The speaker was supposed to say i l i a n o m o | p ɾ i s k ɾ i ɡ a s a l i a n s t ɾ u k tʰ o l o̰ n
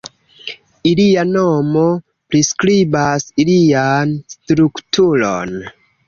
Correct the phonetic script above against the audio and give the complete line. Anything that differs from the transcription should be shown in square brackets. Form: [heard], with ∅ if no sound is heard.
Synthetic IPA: i l i a n o m o | p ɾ i s k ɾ i [b] a s [i] l i a n s t ɾ u k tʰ [u] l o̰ n